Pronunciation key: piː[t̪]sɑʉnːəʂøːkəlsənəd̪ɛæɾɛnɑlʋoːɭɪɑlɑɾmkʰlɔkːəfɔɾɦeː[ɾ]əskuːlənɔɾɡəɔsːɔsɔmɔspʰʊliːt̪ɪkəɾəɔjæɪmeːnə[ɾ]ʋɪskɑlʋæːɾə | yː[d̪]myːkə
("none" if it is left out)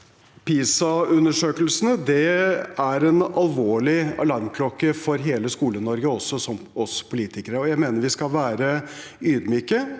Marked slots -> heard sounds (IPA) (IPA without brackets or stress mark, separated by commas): none, l, ɾ, d̪